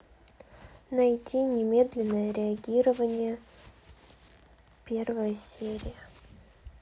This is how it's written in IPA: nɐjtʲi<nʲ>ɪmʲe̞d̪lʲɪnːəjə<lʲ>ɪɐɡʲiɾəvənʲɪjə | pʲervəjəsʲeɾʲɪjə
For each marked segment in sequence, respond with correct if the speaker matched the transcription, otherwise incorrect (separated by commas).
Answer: correct, incorrect